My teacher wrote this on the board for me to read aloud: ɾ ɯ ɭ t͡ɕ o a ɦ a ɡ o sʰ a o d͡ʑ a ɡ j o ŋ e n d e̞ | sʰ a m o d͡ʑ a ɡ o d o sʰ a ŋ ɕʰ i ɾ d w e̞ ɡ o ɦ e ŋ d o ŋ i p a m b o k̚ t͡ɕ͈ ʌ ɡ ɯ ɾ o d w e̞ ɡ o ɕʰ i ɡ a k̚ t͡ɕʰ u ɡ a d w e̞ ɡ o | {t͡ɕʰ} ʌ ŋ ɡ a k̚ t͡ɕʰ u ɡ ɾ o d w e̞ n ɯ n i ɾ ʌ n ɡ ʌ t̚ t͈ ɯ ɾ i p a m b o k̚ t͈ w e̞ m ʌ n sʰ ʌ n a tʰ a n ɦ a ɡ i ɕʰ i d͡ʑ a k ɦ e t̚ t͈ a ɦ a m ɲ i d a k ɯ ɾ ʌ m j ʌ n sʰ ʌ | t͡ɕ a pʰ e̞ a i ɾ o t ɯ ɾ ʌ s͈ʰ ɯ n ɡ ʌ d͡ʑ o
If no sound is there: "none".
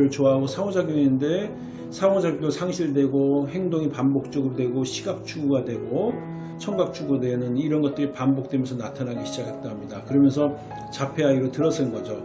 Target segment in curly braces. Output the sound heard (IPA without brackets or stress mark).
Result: t͡ɕʰ